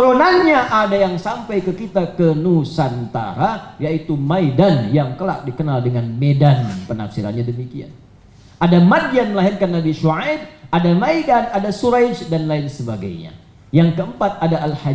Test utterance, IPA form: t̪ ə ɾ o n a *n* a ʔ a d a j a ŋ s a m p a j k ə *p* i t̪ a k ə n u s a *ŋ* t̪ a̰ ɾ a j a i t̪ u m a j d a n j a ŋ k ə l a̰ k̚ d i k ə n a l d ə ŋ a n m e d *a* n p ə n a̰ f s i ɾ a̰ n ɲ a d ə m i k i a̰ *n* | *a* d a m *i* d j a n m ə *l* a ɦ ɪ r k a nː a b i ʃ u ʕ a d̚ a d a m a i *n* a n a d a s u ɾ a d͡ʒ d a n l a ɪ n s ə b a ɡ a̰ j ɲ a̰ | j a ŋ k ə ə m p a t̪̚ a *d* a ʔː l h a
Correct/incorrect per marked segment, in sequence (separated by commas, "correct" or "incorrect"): incorrect, incorrect, incorrect, correct, correct, correct, incorrect, correct, incorrect, correct